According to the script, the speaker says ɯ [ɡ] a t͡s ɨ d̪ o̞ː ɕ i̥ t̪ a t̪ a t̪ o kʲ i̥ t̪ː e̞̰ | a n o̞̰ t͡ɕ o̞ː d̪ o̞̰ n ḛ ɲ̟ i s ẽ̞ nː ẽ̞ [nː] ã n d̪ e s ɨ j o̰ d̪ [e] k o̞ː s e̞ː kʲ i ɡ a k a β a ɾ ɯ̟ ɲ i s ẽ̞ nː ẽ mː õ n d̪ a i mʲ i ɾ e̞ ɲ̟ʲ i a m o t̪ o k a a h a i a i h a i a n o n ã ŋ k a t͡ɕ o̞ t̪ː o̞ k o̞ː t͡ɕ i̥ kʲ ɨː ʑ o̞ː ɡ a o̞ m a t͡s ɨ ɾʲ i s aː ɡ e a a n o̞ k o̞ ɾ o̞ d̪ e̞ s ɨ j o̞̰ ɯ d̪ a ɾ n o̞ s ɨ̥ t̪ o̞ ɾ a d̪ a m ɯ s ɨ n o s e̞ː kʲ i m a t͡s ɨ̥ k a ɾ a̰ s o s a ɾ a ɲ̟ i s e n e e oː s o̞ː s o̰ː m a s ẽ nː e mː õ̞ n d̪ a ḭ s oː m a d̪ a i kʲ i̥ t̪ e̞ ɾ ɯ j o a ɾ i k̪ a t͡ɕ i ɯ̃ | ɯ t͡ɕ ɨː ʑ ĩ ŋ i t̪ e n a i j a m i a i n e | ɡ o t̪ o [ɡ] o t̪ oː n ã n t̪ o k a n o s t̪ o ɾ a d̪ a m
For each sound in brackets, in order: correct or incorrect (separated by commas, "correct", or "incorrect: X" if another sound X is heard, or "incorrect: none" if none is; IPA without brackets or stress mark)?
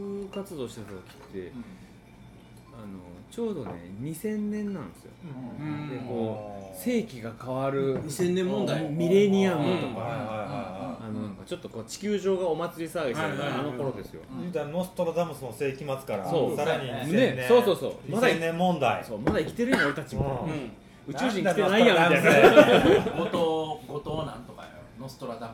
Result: incorrect: k, correct, correct, correct